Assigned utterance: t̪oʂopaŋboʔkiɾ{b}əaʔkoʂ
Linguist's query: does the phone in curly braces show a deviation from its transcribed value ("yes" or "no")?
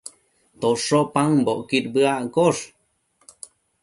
no